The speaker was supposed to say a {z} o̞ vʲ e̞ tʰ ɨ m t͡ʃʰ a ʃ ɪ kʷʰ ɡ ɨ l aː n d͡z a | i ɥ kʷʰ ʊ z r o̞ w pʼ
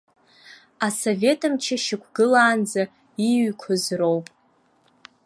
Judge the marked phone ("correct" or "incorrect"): incorrect